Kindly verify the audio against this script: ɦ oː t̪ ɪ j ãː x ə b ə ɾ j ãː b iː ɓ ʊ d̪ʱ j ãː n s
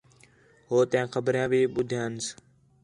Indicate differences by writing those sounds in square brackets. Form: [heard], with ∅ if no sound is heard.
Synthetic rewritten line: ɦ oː t̪ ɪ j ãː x ə b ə ɾ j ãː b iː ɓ ʊ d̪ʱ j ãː n s